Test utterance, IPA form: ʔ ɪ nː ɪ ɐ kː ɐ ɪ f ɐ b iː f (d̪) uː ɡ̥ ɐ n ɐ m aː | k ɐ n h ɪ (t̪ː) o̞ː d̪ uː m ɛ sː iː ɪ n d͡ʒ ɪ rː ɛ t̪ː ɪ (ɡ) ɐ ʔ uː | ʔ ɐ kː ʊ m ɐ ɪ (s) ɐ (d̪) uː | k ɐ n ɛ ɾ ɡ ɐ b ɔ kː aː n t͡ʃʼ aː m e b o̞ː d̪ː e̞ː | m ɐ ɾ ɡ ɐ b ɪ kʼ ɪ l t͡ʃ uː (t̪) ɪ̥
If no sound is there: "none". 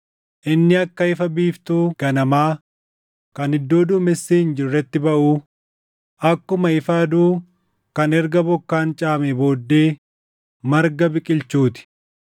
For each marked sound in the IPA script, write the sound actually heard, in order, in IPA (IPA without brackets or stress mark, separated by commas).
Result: t̪, d̪ː, b, f, d̪, t̪